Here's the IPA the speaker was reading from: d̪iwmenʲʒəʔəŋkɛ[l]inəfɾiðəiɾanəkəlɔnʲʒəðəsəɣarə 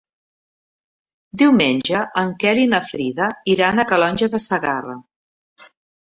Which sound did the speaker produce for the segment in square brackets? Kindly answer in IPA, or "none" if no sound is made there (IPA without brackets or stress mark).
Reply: l